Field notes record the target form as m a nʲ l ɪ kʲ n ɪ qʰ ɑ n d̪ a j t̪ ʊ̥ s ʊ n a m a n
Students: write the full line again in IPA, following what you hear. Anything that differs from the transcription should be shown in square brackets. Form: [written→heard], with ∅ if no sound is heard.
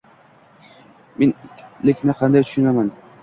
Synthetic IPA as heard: m [a→e] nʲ l ɪ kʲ n ɪ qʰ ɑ n d̪ a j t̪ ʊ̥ [s→ʃ] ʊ n a m a n